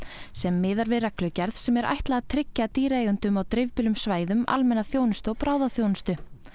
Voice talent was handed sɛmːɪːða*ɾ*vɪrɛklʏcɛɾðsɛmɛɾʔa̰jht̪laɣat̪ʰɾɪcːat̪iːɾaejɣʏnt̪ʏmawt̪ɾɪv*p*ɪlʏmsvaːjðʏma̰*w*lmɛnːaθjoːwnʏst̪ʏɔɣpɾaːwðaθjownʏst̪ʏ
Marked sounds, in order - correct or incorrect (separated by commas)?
correct, correct, incorrect